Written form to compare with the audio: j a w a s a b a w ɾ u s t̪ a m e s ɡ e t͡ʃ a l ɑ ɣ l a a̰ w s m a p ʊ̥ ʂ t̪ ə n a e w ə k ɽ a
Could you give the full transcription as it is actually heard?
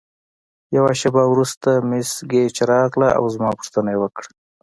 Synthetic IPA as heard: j a w a ʃ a b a w ɾ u s t̪ a m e s ɡ e t͡ʃ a ɾ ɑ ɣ l a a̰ w z m ɑ p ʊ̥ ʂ t̪ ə n a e w ə k ɽ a

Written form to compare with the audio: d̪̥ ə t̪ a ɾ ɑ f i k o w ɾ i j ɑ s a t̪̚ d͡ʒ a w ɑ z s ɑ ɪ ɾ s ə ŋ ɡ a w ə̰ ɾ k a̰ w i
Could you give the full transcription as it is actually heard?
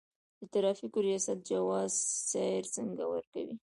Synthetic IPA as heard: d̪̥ ə t̪ a ɾ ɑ f i k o ɾ i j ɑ s a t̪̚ d͡ʒ a w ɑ z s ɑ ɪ ɾ s ə ŋ ɡ a w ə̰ ɾ k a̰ w i

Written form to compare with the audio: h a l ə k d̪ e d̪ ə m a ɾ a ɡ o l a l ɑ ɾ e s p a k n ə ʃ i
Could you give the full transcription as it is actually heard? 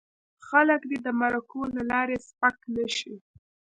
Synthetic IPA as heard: x a l ə k d̪ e d̪ ə m a ɾ a k o l a l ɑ ɾ e s p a k n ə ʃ i

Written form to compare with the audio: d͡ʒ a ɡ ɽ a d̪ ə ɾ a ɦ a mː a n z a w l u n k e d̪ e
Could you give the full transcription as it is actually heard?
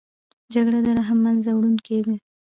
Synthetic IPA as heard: d͡ʒ a ɡ ɽ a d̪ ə ɾ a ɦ a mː a n z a w ɽ u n k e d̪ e

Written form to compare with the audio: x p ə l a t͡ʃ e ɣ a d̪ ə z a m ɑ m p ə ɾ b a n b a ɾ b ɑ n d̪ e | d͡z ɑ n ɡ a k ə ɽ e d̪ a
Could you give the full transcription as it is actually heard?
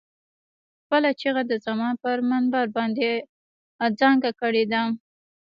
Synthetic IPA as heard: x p ə l a t͡ʃ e ɣ a d̪ ə z a m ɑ n p ə ɾ m a n b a ɾ b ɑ n d̪ e | d͡z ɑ ŋ ɡ a k ə ɽ e d̪ a

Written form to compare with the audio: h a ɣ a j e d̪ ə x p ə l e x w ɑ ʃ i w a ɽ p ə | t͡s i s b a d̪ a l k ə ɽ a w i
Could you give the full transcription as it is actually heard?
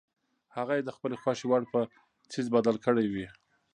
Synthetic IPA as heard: h a ɣ a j e d̪ ə x p ə l e x w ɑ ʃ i w a ɽ p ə | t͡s i z b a d̪ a l k ə ɽ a w i

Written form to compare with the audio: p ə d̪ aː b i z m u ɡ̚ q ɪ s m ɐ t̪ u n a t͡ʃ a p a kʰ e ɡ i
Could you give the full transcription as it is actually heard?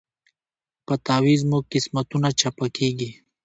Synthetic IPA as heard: p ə t̪ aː w i z m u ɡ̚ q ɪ s m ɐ t̪ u n a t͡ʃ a p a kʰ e ɡ i

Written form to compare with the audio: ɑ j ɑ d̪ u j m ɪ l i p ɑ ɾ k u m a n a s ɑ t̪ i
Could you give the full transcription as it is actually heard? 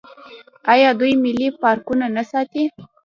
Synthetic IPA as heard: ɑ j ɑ d̪ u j m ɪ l i p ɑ ɾ k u n a n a s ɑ t̪ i

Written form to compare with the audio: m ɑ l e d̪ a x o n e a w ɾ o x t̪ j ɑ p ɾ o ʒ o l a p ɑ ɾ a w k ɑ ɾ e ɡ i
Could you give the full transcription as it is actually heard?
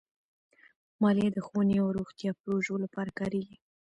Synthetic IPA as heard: m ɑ l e d̪ ə x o n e a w ɾ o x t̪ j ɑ p ɾ o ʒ o l a p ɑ ɾ a k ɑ ɾ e ɡ i

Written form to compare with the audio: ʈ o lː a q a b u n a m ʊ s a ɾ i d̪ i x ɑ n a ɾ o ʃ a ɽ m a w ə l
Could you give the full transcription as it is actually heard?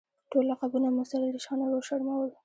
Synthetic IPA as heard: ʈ o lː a q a b u n a m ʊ s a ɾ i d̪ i ʃ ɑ n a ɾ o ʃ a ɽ m a w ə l

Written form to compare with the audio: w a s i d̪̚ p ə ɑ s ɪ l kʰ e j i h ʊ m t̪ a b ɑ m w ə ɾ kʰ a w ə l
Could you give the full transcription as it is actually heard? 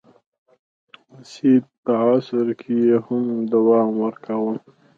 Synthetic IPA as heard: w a s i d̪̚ p ə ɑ s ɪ ɾ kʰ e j e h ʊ m d̪ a w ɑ m w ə ɾ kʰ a w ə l

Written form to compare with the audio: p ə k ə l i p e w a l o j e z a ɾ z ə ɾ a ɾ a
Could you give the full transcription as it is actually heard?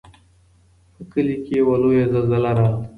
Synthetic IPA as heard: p ə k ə l i k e w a l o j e z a l z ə l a ɾ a

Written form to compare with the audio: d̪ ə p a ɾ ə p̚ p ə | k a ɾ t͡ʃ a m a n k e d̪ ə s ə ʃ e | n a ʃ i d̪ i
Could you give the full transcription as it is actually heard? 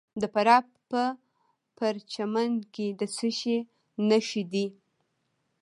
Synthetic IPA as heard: d̪ ə p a ɾ ɑ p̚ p ə | p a ɾ t͡ʃ a m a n k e d̪ ə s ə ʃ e | n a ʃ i d̪ i

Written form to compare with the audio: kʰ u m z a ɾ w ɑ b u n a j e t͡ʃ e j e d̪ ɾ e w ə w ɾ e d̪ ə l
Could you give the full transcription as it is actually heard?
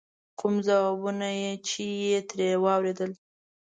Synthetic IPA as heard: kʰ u m z a w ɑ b u n a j e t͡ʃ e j e t̪ ɾ e w ɑ w ɾ e d̪ ə l

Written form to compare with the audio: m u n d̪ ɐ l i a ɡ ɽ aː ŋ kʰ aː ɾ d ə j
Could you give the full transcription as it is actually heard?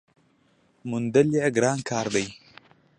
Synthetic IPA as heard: m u n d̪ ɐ l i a ɡ ɾ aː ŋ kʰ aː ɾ d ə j

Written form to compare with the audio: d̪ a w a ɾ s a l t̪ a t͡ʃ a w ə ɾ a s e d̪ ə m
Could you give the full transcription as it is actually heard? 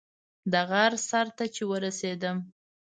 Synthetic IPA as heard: d̪ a ɣ a ɾ s a ɾ t̪ a t͡ʃ e w ə ɾ a s e d̪ ə m

